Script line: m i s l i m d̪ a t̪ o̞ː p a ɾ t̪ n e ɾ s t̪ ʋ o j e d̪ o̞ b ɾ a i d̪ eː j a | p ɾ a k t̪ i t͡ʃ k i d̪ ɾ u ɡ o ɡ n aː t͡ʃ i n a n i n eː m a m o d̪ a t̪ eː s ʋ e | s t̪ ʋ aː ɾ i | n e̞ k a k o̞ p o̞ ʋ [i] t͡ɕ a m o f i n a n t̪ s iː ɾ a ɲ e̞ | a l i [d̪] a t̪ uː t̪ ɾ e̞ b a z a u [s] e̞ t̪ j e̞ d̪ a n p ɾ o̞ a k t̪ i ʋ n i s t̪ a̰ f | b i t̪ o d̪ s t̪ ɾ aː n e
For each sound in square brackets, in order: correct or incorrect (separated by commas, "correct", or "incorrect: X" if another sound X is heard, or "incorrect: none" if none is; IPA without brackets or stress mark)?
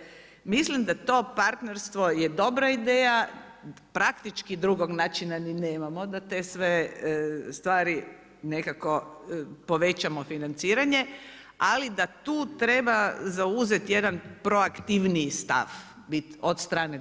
incorrect: e, correct, incorrect: z